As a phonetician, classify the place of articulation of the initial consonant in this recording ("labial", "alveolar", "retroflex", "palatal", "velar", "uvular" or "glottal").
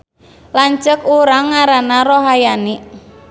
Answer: alveolar